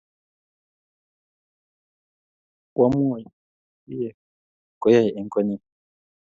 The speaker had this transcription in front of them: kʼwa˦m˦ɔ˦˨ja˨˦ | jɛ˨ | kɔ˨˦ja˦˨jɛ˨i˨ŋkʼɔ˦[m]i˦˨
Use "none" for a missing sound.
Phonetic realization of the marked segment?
n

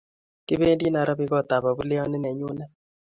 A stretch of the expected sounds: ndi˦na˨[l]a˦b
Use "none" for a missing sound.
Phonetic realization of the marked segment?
ɾ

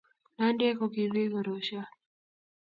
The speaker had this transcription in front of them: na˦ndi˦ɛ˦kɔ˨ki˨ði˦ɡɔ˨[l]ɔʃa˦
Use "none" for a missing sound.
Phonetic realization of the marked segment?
ɾ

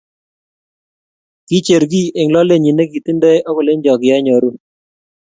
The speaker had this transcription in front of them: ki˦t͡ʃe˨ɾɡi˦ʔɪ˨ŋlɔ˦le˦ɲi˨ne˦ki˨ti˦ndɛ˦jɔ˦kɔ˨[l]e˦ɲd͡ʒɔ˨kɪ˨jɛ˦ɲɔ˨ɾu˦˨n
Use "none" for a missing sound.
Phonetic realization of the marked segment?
l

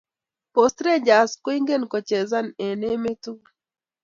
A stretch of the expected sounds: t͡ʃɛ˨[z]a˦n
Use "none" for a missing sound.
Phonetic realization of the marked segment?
z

